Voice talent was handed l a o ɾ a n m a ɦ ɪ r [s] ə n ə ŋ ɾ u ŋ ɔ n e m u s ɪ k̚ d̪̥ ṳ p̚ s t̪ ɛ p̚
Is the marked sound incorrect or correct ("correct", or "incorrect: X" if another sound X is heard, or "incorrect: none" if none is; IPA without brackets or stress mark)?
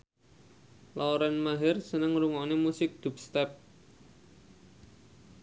correct